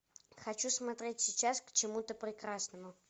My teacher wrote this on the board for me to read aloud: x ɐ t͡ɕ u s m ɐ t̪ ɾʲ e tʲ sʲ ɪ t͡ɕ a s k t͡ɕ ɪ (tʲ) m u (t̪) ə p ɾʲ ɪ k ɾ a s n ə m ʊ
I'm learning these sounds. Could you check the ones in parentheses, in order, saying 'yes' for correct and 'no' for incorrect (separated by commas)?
no, yes